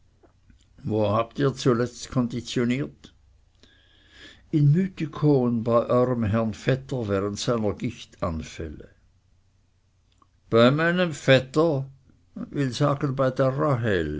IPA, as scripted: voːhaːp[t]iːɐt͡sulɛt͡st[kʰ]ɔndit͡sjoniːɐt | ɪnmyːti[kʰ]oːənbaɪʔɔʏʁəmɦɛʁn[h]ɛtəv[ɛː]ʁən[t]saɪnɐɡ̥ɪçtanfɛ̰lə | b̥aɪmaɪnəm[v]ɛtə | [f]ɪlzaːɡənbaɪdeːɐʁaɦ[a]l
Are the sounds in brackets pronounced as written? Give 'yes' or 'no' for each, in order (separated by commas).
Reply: yes, yes, yes, no, yes, yes, no, no, no